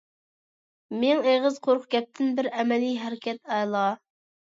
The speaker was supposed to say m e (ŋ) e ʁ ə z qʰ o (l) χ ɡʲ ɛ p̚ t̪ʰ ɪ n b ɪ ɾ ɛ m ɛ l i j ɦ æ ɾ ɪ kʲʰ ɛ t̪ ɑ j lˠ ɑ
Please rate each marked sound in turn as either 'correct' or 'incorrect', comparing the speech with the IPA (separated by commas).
correct, incorrect